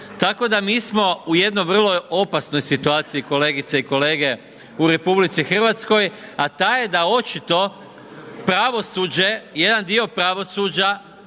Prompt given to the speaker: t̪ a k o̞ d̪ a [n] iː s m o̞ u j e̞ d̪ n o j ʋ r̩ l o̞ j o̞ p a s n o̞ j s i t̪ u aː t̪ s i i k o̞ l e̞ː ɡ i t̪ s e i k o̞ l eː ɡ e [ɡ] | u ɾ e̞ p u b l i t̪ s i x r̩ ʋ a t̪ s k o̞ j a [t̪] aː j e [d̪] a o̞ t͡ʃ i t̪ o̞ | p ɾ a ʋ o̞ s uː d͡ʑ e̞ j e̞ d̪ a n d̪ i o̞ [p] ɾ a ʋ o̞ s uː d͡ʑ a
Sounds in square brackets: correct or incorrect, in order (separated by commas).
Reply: incorrect, incorrect, correct, correct, correct